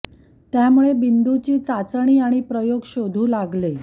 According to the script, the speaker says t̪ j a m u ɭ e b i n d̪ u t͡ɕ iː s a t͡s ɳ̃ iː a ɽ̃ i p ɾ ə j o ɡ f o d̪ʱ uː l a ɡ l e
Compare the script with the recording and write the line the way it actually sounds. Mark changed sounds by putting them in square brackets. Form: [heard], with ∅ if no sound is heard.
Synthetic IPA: t̪ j a m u ɭ e b i n d̪ u t͡ɕ iː [t͡s] a t͡s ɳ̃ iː a ɽ̃ i p ɾ ə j o ɡ [ɕ] o d̪ʱ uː l a ɡ l e